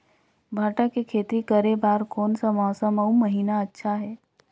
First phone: bʱ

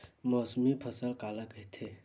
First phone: m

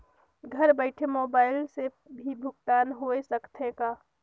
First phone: ɡʱ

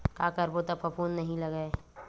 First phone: k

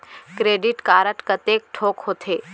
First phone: k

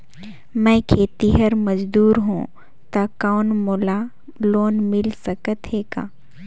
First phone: m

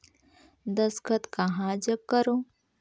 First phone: d̪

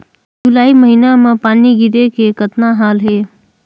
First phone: d͡ʒ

